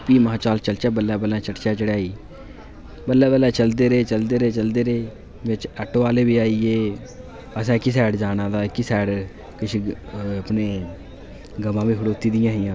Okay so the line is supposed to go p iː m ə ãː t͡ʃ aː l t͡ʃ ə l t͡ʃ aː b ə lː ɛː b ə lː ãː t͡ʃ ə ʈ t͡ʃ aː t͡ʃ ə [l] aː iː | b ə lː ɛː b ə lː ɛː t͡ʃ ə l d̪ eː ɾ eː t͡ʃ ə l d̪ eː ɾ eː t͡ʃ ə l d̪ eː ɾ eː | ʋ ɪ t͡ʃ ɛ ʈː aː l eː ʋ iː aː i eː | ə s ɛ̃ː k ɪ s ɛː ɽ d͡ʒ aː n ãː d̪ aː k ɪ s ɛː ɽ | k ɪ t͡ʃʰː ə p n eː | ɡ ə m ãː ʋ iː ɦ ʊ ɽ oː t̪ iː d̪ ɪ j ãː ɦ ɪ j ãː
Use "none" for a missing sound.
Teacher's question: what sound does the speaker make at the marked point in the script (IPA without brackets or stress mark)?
ɽ